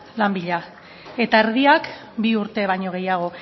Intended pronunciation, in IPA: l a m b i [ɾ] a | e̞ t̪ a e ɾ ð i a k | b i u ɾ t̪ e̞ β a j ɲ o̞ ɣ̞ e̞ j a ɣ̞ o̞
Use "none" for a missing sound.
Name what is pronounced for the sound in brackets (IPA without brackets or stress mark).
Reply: ʎ